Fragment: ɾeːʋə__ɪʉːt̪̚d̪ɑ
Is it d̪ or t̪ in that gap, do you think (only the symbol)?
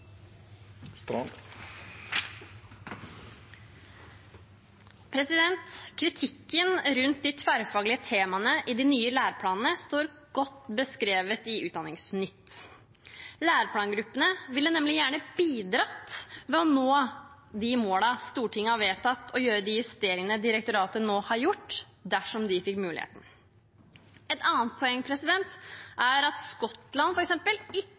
t̪